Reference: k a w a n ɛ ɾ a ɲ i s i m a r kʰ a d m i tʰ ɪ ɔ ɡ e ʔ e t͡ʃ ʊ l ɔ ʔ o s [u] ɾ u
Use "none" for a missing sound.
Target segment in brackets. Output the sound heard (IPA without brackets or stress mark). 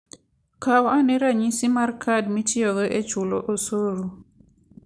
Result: o